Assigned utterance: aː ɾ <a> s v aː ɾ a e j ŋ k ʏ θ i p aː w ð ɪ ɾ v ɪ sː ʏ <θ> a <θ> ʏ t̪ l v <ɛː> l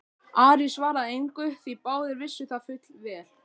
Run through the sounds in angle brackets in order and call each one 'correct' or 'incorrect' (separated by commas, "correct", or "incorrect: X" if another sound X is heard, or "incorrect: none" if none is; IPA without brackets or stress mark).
incorrect: i, correct, incorrect: f, correct